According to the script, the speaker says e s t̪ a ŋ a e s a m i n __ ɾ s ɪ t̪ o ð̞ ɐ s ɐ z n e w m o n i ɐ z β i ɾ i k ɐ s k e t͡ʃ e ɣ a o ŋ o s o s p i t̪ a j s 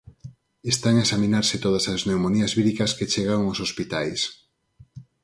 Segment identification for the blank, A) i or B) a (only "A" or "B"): B